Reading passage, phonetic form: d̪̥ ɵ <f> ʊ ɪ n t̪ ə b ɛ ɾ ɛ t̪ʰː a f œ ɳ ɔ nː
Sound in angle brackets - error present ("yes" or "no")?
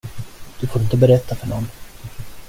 no